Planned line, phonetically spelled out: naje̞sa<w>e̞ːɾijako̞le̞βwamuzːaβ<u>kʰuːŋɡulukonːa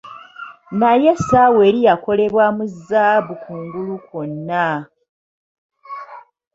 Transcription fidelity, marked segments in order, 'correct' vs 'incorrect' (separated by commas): correct, correct